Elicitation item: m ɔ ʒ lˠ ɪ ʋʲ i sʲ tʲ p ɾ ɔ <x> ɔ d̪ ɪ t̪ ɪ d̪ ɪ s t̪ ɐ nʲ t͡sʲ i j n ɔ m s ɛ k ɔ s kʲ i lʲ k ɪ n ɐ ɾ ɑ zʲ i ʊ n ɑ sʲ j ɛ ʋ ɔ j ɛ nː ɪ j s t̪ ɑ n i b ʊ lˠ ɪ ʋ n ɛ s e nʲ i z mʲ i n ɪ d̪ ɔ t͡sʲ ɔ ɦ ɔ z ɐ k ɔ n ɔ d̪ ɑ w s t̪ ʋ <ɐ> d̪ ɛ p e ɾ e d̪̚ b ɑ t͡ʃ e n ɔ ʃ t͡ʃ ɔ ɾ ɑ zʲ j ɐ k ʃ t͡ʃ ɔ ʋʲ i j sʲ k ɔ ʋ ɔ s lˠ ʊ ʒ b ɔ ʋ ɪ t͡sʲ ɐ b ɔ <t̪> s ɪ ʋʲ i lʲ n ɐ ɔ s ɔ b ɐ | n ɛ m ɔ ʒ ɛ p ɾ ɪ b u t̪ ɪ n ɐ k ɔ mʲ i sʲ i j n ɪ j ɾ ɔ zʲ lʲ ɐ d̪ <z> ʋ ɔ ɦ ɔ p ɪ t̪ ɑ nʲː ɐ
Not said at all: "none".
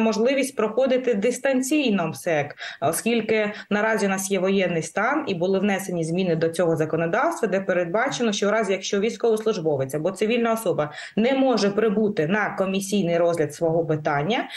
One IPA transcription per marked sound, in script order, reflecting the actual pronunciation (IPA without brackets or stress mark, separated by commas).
x, ɐ, t̪, s